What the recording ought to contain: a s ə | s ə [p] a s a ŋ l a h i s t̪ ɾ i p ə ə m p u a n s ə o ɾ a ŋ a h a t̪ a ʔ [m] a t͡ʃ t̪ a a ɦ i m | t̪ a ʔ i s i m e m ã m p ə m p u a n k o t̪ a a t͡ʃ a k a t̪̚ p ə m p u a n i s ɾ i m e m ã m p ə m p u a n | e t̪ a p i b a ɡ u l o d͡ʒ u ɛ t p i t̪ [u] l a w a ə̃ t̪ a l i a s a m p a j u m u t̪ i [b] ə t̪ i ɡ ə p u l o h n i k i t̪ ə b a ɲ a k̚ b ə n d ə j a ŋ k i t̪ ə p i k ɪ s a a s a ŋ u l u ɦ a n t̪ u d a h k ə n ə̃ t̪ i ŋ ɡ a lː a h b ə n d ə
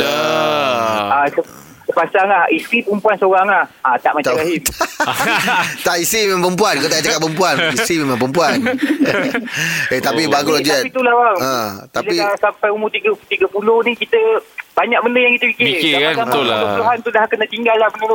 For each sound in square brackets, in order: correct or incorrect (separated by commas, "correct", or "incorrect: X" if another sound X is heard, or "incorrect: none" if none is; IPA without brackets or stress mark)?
correct, correct, correct, incorrect: ɡ